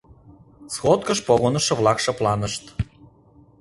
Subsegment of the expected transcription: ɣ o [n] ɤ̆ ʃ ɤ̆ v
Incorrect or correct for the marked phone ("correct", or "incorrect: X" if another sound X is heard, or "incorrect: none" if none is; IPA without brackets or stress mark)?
correct